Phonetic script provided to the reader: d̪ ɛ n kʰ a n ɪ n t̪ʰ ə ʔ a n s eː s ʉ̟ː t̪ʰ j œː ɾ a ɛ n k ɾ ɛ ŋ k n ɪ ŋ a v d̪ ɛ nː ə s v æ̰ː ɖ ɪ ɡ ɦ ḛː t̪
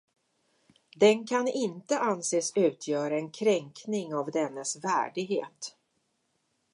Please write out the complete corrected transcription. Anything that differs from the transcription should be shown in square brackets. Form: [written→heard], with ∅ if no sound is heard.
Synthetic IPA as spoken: d̪ ɛ n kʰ a n ɪ n [t̪ʰ→t̪] ə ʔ a n s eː s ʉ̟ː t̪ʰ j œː ɾ a ɛ n [k→kʰ] ɾ ɛ ŋ k n ɪ ŋ a v d̪ ɛ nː ə s v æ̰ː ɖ ɪ ɡ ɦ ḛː t̪

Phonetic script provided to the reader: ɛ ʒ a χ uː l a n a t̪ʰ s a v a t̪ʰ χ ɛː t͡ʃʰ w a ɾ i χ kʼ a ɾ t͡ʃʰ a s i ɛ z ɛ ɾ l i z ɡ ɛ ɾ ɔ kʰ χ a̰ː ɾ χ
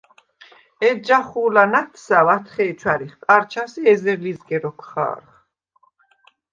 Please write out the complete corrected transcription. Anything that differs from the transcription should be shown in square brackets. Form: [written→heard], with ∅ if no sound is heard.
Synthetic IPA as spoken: ɛ [ʒ→d͡ʒ] a χ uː l a n a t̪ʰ s a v a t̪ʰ χ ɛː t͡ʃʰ w a ɾ i χ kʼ a ɾ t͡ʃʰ a s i ɛ z ɛ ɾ l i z ɡ ɛ ɾ ɔ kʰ χ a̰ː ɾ χ

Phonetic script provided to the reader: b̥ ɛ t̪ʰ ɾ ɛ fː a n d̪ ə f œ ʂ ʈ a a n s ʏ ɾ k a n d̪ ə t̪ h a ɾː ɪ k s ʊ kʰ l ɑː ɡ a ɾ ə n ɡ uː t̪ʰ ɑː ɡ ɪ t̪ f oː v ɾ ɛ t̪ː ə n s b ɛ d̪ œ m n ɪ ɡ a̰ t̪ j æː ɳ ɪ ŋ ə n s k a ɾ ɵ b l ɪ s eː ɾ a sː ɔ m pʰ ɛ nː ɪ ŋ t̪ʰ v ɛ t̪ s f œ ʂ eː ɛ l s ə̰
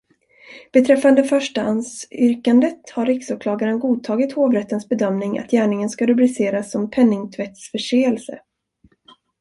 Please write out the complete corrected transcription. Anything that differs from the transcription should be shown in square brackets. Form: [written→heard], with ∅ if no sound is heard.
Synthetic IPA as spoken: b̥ ɛ t̪ʰ ɾ ɛ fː a n d̪ ə f œ ʂ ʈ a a n s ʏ ɾ k a n d̪ ə t̪ h a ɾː ɪ k s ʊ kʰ l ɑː ɡ a ɾ ə n ɡ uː t̪ʰ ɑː ɡ ɪ t̪ [f→h] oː v ɾ ɛ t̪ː ə n s b ɛ d̪ œ m n ɪ [ɡ→ŋ] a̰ t̪ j æː ɳ ɪ ŋ ə n s k a ɾ ɵ b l ɪ s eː ɾ a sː ɔ m pʰ ɛ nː ɪ ŋ t̪ʰ v ɛ t̪ s f œ ʂ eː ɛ l s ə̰

